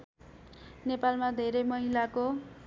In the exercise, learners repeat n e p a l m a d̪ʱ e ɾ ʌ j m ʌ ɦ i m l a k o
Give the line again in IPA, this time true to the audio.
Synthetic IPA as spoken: n e p a l m a d̪ʱ e ɾ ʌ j m ʌ ɦ i l a k o